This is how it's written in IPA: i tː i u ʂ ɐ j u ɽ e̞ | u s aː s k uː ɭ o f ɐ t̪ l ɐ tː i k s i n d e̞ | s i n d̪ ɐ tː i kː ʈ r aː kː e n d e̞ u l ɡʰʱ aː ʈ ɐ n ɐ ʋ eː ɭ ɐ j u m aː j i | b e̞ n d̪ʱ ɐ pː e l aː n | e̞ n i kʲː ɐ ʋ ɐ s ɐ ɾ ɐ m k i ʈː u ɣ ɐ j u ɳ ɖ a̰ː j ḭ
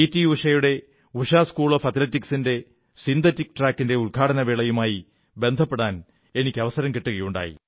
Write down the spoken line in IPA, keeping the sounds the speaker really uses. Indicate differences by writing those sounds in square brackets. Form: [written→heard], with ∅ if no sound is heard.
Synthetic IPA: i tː i u ʂ ɐ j u ɽ e̞ | u [s→ʂ] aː s k uː ɭ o f ɐ t̪ l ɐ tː i k s i n d e̞ | s i n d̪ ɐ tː i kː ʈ r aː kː [e→i] n d e̞ u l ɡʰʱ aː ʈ ɐ n ɐ ʋ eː ɭ ɐ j u m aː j i | b e̞ n d̪ʱ ɐ pː e [l→ɽ] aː n | e̞ n i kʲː ɐ ʋ ɐ s ɐ ɾ ɐ m k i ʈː u ɣ ɐ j u ɳ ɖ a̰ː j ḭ